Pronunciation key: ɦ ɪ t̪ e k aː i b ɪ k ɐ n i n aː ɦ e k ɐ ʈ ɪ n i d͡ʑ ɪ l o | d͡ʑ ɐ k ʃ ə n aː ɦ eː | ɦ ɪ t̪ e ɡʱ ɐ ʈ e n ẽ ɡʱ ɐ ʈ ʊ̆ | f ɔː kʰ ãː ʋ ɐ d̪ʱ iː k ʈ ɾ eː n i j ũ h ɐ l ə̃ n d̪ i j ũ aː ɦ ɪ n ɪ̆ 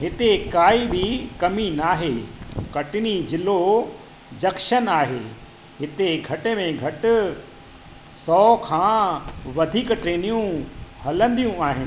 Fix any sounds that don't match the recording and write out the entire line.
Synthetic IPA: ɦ ɪ t̪ e k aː i b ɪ k ɐ m i n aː ɦ e k ɐ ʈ ɪ n i d͡ʑ ɪ l o | d͡ʑ ɐ k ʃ ə n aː ɦ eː | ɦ ɪ t̪ e ɡʱ ɐ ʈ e m ẽ ɡʱ ɐ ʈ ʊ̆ | s ɔː kʰ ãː ʋ ɐ d̪ʱ iː k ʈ ɾ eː n i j ũ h ɐ l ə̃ n d̪ i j ũ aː ɦ ɪ n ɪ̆